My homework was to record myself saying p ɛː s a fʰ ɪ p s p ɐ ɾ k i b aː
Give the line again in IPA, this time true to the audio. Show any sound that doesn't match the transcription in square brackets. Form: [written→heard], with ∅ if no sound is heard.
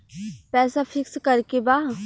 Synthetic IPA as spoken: p ɛː s a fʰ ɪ [p→k] s [p→k] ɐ ɾ k [i→e] b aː